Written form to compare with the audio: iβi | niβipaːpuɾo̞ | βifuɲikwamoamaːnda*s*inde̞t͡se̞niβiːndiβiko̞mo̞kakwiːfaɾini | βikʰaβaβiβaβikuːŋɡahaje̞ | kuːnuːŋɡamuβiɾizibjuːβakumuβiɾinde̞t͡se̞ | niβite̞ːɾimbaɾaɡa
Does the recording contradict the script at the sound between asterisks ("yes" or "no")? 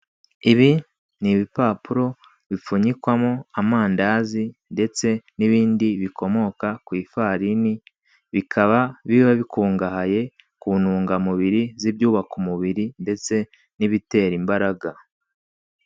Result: yes